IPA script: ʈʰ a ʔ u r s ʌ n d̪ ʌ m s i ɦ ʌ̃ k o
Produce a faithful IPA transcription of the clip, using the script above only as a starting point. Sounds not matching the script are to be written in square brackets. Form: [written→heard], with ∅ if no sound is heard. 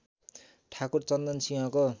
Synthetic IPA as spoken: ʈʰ a [ʔ→k] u r [s→t͡s] ʌ n d̪ ʌ [m→n] s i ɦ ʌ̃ k o